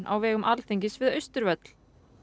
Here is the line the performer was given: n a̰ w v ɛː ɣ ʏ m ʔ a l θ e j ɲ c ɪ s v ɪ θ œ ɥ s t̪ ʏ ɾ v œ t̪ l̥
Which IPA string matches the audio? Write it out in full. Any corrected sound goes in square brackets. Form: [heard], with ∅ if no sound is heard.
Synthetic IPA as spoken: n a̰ w v ɛː ɣ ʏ m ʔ a l θ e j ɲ c ɪ s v ɪ [ð] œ ɥ s t̪ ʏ ɾ v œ t̪ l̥